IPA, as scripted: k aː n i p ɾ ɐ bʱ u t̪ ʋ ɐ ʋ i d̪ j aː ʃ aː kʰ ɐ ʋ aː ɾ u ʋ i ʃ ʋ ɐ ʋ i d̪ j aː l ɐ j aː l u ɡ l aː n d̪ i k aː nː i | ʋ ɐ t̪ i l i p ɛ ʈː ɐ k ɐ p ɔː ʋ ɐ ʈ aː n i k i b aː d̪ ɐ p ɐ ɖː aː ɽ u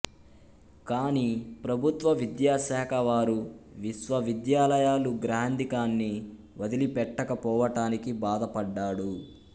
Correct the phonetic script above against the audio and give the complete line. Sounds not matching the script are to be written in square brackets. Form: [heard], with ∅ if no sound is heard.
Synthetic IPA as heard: k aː n i p ɾ ɐ bʱ u t̪ ʋ ɐ ʋ i d̪ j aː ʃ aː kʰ ɐ ʋ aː ɾ u ʋ i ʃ ʋ ɐ ʋ i d̪ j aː l ɐ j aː l u ɡ [ɾ] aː n d̪ i k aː nː i | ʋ ɐ [d̪] i l i p ɛ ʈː ɐ k ɐ p ɔː ʋ ɐ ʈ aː n i k i b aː d̪ ɐ p ɐ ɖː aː ɽ u